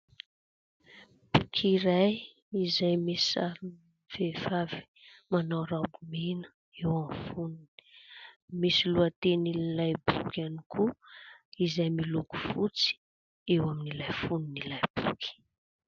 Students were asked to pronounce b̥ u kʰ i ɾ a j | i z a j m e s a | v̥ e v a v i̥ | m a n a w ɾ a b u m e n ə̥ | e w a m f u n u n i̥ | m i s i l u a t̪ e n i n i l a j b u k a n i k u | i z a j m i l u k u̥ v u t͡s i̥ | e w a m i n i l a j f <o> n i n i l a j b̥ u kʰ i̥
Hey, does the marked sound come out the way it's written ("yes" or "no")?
no